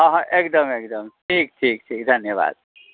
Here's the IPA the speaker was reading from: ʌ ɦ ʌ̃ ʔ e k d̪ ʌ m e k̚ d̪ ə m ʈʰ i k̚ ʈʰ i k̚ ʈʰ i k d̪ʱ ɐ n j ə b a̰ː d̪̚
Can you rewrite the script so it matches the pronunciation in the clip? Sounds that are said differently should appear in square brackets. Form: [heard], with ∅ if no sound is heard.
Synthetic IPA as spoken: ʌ ɦ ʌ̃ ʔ e k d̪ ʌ m e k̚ d̪ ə m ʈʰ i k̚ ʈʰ i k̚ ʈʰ i k d̪ʱ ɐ n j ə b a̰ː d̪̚